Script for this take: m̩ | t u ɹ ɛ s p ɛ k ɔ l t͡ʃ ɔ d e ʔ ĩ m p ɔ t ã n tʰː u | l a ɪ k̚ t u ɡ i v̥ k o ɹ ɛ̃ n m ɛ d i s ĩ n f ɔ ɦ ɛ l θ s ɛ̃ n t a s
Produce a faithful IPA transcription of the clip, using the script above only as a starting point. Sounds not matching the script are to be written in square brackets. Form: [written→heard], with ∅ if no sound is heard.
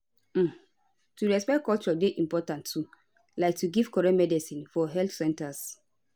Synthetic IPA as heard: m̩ | t u ɹ ɛ s p ɛ k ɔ l t͡ʃ ɔ d e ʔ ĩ m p ɔ t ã n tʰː u | l a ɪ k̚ t u ɡ i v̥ k [o→ɔ] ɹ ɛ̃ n m ɛ d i s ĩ n f ɔ ɦ ɛ l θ s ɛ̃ n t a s